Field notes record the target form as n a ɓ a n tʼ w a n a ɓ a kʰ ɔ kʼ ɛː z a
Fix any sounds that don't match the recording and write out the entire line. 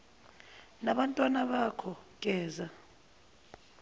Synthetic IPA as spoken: n a ɓ a n tʼ w a n a ɓ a kʰ ɔ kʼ ɛː z a